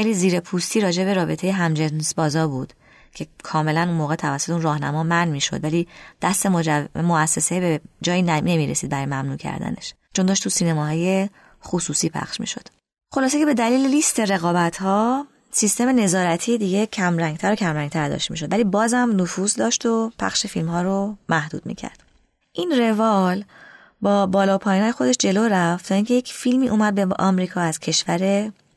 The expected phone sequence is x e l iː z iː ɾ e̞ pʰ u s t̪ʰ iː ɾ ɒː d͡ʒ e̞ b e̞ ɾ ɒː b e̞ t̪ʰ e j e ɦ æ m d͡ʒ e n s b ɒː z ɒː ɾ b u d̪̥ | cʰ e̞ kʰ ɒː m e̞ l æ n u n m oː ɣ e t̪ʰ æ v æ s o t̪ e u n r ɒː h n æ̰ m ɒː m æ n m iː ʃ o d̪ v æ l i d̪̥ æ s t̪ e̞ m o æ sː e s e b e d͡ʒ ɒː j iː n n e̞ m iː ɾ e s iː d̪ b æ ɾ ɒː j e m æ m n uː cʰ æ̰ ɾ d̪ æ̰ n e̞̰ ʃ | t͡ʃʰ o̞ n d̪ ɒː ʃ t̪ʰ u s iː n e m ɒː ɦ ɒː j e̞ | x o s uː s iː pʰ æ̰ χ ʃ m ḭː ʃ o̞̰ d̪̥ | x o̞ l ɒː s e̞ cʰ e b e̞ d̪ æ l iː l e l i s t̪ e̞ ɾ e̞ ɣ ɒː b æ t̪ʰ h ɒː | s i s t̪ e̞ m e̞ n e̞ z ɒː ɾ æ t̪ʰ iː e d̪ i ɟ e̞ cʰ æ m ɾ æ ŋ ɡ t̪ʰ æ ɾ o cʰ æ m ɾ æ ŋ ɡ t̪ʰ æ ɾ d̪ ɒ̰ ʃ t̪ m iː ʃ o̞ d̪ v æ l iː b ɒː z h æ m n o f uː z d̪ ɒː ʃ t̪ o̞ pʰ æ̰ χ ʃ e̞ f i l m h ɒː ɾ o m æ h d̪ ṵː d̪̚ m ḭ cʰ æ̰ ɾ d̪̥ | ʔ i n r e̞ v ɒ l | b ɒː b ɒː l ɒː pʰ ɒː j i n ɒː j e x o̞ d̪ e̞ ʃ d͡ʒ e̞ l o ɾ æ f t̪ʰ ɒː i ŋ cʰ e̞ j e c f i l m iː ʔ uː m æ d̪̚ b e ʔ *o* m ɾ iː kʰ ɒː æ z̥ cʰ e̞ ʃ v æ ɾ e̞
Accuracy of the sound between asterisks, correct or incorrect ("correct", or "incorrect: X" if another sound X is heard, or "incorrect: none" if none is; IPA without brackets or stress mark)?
incorrect: ɒ